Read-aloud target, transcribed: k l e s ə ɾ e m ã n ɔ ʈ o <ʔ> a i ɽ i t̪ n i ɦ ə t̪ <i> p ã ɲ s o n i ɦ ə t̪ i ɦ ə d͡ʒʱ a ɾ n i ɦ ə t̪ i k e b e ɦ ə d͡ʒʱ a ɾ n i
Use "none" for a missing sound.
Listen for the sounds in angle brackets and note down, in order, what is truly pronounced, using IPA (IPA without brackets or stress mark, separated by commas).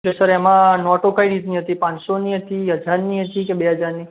k, i